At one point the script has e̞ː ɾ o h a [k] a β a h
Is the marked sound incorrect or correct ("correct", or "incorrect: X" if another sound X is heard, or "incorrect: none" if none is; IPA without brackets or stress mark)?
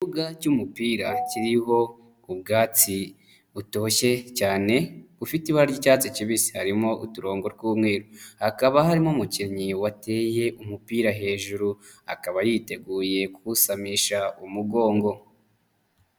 correct